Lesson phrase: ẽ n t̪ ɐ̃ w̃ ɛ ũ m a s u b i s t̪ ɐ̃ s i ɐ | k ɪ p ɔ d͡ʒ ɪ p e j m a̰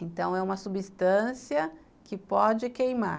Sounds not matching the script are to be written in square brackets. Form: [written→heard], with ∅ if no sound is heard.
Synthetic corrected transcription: ẽ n t̪ ɐ̃ w̃ ɛ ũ m [a→ɐ] s u b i s t̪ ɐ̃ s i ɐ | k ɪ p ɔ d͡ʒ ɪ [p→k] e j m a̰